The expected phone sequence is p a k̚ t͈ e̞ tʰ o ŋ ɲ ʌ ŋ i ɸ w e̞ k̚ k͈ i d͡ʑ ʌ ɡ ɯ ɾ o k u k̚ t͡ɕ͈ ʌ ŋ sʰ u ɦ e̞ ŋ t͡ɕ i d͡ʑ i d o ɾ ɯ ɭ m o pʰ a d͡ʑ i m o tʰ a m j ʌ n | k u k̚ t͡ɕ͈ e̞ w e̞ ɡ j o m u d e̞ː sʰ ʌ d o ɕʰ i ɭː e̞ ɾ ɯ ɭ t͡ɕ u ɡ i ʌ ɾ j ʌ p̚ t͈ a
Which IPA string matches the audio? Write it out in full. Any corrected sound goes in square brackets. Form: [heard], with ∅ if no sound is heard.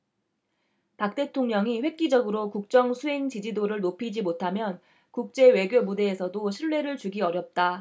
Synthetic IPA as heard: p a k̚ t͈ e̞ tʰ o ŋ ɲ ʌ ŋ i ɸ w e̞ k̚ k͈ i d͡ʑ ʌ ɡ ɯ ɾ o k u k̚ t͡ɕ͈ ʌ ŋ sʰ u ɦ e̞ ŋ t͡ɕ i d͡ʑ i d o ɾ ɯ ɭ [n] o pʰ [i] d͡ʑ i m o tʰ a m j ʌ n | k u k̚ t͡ɕ͈ e̞ w e̞ ɡ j o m u d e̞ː sʰ ʌ d o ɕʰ i ɭː e̞ ɾ ɯ ɭ t͡ɕ u ɡ i ʌ ɾ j ʌ p̚ t͈ a